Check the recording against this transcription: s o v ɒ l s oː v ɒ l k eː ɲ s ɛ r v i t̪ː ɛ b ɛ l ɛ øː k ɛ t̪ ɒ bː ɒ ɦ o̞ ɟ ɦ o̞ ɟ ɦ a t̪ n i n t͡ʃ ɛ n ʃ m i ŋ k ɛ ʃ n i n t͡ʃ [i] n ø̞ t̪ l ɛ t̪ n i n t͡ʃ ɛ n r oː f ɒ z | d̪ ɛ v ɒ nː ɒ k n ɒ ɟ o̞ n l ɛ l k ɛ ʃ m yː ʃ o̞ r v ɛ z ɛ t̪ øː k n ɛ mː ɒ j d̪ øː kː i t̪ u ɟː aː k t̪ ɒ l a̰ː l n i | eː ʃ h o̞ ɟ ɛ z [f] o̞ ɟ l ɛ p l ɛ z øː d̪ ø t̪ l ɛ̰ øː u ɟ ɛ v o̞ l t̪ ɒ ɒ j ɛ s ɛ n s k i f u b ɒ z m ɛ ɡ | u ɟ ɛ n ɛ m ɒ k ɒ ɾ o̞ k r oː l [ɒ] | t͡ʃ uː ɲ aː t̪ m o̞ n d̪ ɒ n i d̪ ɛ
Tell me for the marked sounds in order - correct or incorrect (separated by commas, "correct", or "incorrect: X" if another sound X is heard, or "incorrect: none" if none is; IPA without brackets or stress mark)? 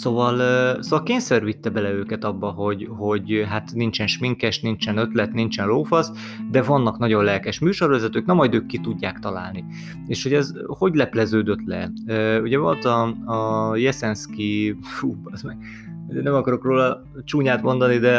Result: incorrect: ɛ, incorrect: h, correct